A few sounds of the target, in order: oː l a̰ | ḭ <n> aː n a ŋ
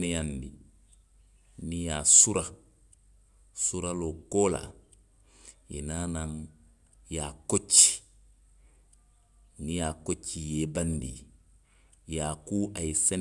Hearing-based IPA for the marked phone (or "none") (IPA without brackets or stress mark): n